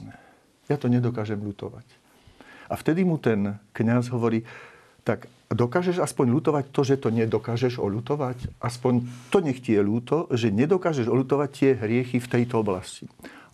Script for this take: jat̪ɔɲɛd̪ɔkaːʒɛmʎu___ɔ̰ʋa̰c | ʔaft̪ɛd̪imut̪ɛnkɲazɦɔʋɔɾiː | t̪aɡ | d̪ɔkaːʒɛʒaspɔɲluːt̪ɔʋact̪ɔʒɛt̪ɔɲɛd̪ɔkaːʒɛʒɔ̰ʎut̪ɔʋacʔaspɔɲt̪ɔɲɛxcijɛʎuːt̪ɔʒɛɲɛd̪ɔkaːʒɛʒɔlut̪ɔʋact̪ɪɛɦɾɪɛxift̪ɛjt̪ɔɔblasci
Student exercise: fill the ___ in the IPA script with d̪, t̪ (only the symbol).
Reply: t̪